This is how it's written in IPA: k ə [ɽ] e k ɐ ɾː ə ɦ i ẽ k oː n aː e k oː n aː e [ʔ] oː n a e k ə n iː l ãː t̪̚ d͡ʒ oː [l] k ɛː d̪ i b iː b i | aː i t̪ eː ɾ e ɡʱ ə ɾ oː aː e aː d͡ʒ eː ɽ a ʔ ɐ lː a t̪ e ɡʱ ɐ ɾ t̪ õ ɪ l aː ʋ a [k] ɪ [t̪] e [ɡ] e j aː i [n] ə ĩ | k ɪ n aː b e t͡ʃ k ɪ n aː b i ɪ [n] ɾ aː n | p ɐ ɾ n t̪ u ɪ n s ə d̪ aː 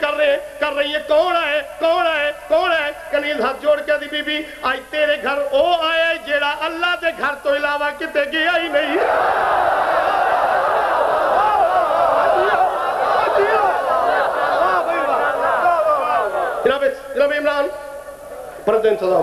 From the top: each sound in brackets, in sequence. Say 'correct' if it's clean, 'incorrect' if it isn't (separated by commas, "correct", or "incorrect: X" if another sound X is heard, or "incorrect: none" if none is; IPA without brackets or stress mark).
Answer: incorrect: ɾ, incorrect: k, incorrect: ɽ, correct, correct, correct, correct, incorrect: m